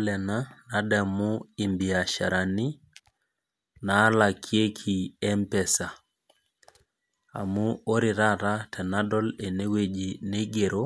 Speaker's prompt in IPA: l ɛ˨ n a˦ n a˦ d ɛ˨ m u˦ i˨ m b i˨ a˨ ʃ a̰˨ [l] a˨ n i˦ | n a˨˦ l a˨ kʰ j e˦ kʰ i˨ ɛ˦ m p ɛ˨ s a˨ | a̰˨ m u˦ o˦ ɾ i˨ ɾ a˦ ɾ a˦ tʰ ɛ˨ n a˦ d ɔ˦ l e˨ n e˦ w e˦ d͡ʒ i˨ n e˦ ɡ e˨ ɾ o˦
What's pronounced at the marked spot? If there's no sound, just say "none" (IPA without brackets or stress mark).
ɾ